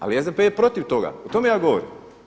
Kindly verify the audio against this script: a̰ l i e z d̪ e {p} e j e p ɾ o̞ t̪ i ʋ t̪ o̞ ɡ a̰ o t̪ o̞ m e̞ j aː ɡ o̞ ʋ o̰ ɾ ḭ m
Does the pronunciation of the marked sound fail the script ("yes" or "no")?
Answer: no